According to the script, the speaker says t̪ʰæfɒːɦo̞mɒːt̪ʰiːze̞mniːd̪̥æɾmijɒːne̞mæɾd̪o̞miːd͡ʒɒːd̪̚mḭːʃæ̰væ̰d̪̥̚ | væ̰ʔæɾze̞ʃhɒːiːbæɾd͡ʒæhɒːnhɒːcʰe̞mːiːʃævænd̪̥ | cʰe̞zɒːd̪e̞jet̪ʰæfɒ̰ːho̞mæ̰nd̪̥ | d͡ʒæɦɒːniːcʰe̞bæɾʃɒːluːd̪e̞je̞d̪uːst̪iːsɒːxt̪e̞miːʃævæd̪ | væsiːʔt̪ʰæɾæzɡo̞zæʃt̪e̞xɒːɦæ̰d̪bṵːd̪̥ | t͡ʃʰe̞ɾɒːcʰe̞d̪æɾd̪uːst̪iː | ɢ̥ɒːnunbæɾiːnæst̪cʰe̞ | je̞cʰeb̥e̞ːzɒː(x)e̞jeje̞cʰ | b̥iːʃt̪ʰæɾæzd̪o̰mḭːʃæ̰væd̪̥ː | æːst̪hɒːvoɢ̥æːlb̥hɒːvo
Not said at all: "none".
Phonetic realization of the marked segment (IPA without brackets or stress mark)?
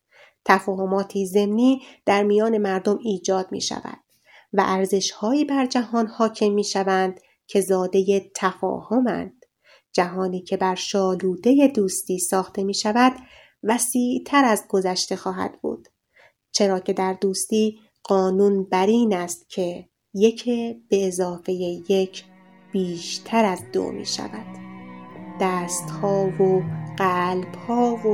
f